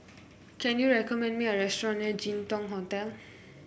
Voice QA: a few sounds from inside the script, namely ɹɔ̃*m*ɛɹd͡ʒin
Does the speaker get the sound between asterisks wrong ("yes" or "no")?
yes